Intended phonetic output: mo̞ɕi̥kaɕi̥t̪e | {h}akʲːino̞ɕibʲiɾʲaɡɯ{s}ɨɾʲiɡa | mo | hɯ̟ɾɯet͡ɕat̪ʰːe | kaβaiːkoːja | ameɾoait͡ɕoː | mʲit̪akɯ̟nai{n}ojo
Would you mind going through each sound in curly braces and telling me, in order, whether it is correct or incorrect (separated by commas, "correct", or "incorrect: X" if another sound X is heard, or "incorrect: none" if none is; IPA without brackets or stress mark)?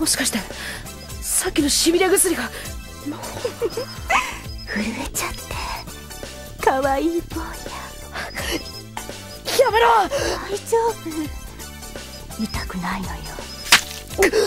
incorrect: s, correct, correct